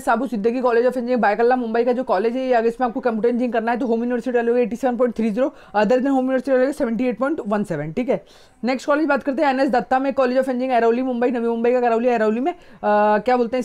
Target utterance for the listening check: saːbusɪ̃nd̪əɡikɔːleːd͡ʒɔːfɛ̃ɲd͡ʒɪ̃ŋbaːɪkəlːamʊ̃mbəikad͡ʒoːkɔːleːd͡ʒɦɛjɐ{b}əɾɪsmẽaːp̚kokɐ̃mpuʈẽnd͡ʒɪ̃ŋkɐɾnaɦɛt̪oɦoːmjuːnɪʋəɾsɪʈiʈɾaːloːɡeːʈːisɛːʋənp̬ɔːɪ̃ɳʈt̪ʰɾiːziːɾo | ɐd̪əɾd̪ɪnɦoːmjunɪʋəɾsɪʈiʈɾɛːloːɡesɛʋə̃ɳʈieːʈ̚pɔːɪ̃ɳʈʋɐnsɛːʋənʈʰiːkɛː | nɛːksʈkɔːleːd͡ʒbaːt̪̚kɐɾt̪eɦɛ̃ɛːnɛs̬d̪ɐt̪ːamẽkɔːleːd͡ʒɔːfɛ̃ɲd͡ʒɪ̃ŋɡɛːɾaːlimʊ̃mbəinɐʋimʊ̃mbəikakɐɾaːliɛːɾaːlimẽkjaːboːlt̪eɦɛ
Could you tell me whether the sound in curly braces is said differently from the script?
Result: yes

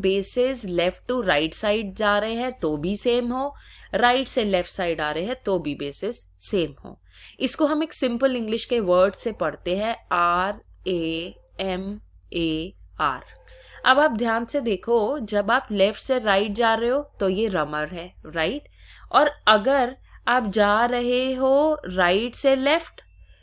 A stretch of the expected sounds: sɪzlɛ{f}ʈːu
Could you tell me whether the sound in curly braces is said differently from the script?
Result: no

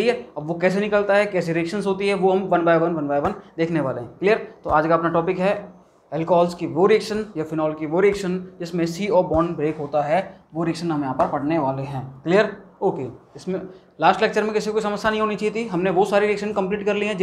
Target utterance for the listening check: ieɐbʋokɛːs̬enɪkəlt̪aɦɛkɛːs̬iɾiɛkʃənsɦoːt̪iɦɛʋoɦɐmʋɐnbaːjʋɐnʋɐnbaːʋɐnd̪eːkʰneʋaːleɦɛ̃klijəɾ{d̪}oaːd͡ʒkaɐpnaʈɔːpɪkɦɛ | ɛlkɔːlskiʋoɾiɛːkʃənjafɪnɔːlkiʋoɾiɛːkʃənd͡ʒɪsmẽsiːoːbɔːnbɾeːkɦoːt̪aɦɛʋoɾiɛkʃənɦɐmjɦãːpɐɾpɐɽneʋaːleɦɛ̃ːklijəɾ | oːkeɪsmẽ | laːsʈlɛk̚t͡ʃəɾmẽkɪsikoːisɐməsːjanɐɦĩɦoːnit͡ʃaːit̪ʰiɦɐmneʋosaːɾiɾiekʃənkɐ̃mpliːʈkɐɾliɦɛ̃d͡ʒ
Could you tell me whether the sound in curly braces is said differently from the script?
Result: yes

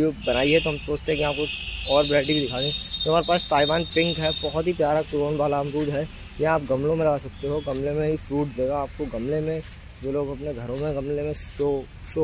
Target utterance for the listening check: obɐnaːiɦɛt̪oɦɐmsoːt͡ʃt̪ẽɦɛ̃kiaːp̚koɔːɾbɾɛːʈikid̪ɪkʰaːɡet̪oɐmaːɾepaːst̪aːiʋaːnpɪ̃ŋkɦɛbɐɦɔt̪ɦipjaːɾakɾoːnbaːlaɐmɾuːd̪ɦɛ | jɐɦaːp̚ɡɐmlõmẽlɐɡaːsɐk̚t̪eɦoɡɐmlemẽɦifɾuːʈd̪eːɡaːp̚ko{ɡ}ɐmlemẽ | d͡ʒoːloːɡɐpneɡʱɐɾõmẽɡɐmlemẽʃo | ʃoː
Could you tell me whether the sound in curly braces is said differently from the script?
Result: no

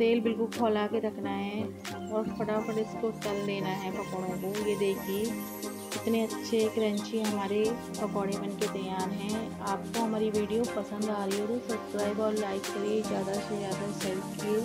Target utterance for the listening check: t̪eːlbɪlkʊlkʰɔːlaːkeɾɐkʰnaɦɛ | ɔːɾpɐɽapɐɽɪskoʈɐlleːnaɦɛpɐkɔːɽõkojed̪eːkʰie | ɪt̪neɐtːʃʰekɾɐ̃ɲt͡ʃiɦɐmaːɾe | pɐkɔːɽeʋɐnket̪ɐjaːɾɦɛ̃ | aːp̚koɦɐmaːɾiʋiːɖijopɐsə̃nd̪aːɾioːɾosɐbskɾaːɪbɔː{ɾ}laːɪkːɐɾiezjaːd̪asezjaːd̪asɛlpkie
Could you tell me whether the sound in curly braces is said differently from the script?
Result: no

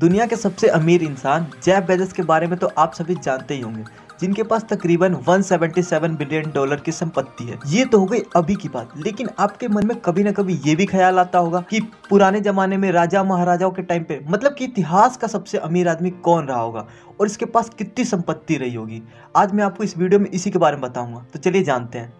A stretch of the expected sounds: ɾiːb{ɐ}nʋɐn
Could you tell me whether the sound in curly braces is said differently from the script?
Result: yes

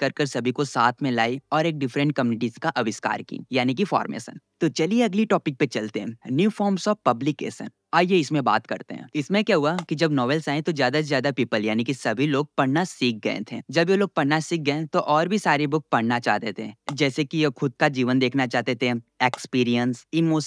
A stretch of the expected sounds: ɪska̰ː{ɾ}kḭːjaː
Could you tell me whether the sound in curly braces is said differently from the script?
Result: no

